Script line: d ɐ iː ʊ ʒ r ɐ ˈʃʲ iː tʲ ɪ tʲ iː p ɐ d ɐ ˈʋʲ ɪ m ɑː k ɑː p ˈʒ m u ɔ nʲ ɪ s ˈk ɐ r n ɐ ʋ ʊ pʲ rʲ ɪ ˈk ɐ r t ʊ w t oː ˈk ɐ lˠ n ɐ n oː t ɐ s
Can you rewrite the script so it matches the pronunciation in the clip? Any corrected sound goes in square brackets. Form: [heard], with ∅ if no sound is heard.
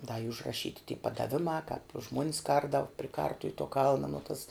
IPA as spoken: d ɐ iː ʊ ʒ r ɐ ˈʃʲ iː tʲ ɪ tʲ iː p ɐ d ɐ ˈʋʲ ɪ m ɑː k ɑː p ˈʒ m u ɔ nʲ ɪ s ˈk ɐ r [d] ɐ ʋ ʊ pʲ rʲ ɪ ˈk ɐ r t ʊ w t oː ˈk ɐ lˠ n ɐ n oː t ɐ s